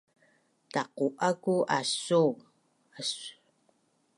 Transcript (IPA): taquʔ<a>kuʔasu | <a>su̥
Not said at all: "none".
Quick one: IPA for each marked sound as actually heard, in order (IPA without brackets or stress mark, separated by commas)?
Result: a, a